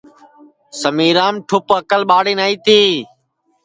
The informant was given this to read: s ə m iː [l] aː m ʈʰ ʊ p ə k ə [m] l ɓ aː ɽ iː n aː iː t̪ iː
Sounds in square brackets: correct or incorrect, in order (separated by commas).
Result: incorrect, incorrect